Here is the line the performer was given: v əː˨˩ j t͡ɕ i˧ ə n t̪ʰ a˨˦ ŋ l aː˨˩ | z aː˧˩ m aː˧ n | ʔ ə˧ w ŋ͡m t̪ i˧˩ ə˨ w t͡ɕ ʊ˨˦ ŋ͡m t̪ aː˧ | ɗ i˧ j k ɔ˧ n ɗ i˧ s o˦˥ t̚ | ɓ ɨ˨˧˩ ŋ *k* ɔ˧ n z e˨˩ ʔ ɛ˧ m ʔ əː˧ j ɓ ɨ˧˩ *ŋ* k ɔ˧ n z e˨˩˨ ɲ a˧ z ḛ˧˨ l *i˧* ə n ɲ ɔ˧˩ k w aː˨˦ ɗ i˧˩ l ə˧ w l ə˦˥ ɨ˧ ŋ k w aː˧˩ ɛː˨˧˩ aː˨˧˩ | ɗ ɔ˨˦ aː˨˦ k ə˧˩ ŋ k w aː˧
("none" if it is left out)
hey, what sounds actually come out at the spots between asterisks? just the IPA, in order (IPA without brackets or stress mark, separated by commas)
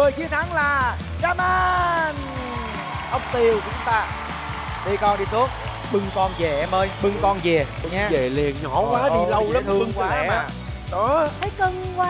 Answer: k, ŋ, i˨˩